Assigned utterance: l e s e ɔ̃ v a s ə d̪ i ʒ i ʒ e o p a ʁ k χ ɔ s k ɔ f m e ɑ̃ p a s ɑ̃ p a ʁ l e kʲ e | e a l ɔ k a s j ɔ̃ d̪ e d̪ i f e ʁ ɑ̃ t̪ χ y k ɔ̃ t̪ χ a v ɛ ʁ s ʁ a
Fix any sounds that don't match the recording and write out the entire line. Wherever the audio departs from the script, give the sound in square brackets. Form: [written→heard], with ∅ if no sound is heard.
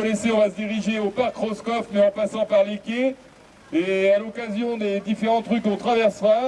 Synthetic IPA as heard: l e s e ɔ̃ v a s ə d̪ i [ʒ→ʁ] i ʒ e o p a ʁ k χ ɔ s k ɔ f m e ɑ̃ p a s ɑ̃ p a ʁ l e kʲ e | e a l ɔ k a [s→z] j ɔ̃ d̪ e d̪ i f e ʁ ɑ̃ t̪ χ y k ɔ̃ t̪ χ a v ɛ ʁ s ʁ a